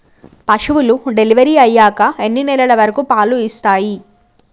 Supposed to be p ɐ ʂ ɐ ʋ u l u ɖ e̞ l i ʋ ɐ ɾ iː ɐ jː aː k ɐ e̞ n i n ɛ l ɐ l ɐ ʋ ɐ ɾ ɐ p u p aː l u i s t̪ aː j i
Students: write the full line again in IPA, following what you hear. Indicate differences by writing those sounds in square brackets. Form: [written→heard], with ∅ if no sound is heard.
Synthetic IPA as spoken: p ɐ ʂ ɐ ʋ u l u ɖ e̞ l i ʋ ɐ ɾ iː ɐ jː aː k ɐ e̞ [n→nː] i n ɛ l ɐ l ɐ ʋ ɐ ɾ ɐ [p→k] u p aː l u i s t̪ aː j i